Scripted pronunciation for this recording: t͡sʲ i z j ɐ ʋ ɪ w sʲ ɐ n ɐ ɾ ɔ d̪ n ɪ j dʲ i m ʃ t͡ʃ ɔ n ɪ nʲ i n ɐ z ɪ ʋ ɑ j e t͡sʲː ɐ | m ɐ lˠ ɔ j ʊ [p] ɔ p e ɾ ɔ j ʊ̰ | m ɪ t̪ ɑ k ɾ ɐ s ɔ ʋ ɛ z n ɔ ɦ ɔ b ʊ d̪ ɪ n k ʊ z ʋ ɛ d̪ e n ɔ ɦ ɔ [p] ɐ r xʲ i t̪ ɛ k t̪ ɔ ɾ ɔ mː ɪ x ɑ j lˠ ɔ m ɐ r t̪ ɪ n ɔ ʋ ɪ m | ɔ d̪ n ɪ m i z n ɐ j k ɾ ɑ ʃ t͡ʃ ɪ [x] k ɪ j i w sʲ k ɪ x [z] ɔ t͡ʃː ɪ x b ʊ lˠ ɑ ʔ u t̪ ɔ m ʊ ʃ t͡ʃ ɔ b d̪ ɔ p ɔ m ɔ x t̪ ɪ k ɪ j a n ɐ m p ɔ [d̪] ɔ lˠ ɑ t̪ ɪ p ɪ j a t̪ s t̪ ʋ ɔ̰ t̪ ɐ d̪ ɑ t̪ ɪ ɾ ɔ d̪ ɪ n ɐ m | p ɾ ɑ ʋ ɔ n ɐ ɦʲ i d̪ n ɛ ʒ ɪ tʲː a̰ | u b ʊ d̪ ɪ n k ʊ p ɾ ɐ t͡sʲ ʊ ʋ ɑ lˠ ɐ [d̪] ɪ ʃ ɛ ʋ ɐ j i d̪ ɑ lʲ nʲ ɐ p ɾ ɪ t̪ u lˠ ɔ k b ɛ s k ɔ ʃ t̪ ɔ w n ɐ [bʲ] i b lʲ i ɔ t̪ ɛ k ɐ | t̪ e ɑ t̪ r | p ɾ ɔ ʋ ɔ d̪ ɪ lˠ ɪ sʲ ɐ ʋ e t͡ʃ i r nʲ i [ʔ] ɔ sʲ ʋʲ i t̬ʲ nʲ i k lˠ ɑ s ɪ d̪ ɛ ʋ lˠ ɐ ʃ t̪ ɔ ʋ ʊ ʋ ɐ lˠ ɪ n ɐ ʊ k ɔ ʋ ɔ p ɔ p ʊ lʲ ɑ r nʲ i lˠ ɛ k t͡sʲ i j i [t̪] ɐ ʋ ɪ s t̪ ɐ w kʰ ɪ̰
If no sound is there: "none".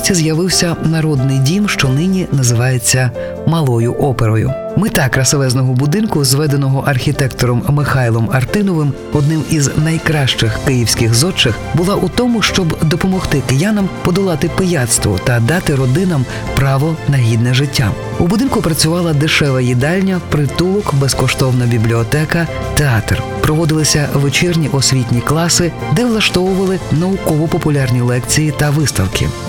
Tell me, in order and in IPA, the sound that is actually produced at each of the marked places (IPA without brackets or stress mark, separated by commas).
ʔ, ʔ, x, z, d̪, d̪, bʲ, ʔ, t̪